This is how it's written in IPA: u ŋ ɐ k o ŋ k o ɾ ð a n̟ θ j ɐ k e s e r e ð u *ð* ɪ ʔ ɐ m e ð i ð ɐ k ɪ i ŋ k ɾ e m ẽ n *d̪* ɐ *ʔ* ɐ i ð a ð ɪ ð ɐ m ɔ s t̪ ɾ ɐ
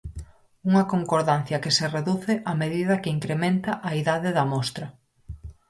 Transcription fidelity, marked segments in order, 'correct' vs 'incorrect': incorrect, incorrect, correct

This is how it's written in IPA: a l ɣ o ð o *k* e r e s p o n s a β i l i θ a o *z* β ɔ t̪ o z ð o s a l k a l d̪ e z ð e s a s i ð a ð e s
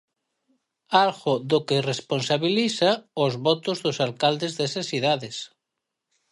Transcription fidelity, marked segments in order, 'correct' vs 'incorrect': correct, correct

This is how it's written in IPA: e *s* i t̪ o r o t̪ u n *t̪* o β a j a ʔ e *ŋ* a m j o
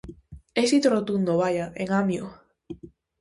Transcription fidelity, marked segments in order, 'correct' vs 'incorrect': correct, incorrect, correct

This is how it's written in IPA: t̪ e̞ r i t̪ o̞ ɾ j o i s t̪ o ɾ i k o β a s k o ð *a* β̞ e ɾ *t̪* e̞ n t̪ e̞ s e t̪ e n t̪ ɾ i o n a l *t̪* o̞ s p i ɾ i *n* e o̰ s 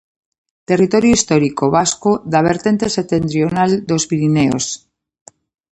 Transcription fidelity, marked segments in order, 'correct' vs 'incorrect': correct, correct, incorrect, correct

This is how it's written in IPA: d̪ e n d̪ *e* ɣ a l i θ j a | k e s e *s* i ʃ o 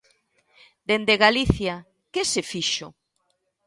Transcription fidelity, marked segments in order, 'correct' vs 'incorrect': correct, incorrect

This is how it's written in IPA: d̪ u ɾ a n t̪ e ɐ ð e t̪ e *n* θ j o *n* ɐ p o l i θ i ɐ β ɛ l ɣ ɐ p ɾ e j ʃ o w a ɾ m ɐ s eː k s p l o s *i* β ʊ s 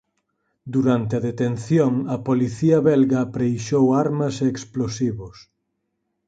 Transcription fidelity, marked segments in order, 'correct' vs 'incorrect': correct, incorrect, correct

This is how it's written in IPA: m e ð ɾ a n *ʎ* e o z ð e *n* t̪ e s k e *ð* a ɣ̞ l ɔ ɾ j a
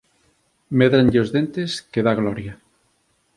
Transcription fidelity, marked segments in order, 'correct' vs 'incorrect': correct, correct, correct

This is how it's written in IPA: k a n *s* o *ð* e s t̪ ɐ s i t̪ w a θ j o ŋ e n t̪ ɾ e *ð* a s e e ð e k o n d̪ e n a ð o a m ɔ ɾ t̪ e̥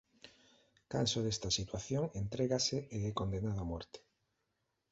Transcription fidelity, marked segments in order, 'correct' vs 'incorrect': correct, correct, incorrect

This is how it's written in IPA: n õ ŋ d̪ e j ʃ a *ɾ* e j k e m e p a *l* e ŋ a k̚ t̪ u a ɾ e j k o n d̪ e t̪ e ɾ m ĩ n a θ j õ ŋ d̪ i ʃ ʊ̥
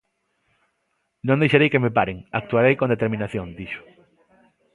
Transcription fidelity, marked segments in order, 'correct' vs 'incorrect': correct, incorrect

